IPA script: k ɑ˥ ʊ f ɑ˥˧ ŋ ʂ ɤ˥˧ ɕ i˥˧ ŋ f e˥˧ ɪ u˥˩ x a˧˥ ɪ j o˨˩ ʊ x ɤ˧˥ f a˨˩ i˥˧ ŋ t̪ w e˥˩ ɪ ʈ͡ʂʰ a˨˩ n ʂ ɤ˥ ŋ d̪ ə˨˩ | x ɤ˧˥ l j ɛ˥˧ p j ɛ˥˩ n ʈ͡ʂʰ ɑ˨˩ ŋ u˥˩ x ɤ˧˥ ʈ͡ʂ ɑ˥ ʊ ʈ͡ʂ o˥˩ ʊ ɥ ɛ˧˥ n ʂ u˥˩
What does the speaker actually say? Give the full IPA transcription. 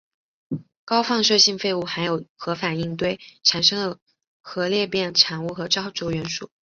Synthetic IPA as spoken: k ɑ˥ ʊ f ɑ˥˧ ŋ ʂ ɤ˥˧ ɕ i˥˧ ŋ f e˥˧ ɪ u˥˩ x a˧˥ ɪ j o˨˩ ʊ x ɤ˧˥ f a˨˩ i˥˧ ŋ t̪ w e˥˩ ɪ ʈ͡ʂʰ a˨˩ n ʂ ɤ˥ ŋ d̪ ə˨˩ | x ɤ˧˥ l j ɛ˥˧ p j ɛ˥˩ n ʈ͡ʂʰ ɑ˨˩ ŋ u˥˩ x ɤ˧˥ ʈ͡ʂ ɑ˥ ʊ ʈ͡ʂ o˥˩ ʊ ɥ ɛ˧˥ n ʂ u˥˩

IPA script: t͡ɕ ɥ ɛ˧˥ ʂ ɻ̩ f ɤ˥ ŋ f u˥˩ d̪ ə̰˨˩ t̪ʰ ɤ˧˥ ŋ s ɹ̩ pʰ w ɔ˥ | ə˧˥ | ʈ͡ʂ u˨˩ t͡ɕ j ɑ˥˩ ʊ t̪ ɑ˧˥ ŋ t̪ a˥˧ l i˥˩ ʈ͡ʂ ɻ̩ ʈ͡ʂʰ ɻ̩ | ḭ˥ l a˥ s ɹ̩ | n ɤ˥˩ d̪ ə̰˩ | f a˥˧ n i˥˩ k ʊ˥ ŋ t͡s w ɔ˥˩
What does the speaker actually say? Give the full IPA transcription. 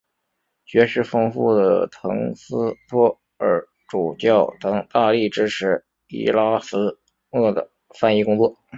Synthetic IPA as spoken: t͡ɕ ɥ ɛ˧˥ ʂ ɻ̩ f ɤ˥ ŋ f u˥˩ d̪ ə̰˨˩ t̪ʰ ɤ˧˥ ŋ s ɹ̩ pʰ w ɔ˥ | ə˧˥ | ʈ͡ʂ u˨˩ t͡ɕ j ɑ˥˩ ʊ t̪ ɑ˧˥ ŋ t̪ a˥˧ l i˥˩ ʈ͡ʂ ɻ̩ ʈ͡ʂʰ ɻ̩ | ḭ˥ l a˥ s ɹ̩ | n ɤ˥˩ d̪ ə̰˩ | f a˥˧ n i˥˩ k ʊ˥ ŋ t͡s w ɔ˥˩

